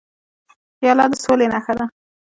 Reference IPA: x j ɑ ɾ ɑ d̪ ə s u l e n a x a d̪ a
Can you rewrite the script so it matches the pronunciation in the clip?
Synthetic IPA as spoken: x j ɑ l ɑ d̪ ə s o l e n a x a d̪ a